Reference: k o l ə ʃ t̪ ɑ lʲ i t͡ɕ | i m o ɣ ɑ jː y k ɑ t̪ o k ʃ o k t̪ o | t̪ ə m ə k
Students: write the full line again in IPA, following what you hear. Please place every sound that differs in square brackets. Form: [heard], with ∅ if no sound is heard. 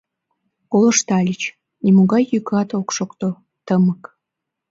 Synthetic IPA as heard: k o l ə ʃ t̪ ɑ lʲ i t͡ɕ | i m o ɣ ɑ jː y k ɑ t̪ o k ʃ o k t̪ o | t̪ ə m ə k

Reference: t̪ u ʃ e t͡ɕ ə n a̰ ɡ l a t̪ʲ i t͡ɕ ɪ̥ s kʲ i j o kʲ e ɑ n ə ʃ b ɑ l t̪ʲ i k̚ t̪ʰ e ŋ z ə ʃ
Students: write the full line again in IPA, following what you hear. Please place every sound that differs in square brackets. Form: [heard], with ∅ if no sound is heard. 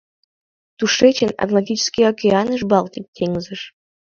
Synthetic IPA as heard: t̪ u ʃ e t͡ɕ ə n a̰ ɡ l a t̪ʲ i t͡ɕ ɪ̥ s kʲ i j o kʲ e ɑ n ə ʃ b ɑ l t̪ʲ i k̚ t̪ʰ e ŋ z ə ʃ

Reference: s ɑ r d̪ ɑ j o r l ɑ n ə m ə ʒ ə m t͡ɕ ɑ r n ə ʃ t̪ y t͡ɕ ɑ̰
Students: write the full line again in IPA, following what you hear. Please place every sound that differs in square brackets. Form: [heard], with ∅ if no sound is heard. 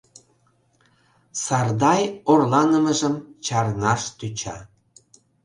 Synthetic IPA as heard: s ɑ r d̪ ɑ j o r l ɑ n ə m ə ʒ ə m t͡ɕ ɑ r n [ɑ] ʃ t̪ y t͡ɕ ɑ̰

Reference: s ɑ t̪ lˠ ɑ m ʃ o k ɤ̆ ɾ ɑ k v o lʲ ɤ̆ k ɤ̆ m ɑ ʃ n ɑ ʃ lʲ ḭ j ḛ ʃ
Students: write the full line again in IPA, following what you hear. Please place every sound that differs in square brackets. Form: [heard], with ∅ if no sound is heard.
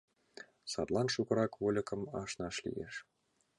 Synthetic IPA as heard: s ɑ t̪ lˠ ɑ [n] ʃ [u] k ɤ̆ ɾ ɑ k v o lʲ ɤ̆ k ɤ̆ m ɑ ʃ n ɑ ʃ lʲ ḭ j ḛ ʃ

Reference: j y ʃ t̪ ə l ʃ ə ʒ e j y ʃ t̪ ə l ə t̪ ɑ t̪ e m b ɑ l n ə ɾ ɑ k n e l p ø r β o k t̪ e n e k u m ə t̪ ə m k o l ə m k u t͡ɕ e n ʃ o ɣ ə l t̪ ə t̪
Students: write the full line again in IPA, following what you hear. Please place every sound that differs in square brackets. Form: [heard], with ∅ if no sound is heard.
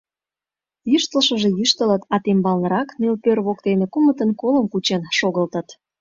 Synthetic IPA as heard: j y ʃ t̪ ə l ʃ ə ʒ e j y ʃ t̪ ə l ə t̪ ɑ t̪ e m b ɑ l n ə ɾ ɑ k n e l p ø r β o k t̪ e n e k u m ə t̪ ə [n] k o l ə m k u t͡ɕ e n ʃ o ɣ ə l t̪ ə t̪

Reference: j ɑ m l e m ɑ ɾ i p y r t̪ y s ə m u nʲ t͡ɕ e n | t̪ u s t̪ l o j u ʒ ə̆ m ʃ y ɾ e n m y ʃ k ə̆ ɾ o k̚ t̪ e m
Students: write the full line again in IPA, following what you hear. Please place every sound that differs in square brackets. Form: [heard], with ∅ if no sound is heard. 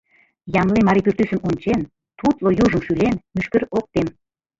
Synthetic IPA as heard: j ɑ m l e m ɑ ɾ i p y r t̪ y s ə m u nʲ t͡ɕ e n | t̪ u [∅] t̪ l o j u ʒ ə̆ m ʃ y [l] e n m y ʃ k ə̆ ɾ o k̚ t̪ e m

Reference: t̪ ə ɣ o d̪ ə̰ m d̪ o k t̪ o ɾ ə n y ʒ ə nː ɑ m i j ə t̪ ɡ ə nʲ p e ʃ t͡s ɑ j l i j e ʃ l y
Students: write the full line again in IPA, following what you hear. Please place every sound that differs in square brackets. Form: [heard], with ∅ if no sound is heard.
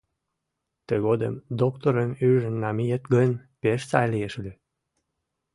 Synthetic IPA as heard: t̪ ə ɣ o d̪ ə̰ m d̪ o k t̪ o ɾ ə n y ʒ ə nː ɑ m i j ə t̪ ɡ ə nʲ p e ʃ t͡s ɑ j l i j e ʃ l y

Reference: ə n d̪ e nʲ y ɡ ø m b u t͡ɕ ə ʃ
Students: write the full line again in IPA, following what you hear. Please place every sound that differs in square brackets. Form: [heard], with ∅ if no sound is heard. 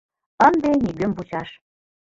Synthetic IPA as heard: ə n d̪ e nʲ [i] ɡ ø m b u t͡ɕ [ɑ] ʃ

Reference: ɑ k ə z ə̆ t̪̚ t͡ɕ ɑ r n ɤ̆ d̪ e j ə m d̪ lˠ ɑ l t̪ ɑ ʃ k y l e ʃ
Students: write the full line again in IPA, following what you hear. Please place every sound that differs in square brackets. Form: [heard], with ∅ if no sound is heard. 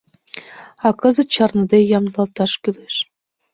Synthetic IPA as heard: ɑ k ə z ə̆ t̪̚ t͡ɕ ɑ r n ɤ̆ d̪ e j [ɑ] m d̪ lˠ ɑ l t̪ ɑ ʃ k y l e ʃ

